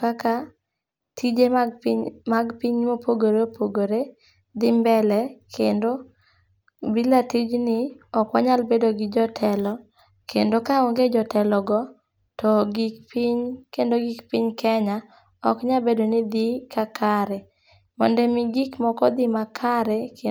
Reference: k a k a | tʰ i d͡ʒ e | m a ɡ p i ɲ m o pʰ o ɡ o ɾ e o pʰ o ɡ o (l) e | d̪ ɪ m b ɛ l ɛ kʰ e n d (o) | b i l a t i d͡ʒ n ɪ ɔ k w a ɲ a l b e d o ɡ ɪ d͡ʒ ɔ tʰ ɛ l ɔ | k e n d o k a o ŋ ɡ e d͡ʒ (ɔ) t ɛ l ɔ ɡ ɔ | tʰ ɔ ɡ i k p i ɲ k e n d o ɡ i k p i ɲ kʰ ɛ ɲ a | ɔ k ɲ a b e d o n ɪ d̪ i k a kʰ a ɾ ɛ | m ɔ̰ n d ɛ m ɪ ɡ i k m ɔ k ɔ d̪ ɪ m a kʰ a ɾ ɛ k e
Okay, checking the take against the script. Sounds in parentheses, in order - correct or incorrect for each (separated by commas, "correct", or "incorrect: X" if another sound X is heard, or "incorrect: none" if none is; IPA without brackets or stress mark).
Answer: incorrect: ɾ, correct, correct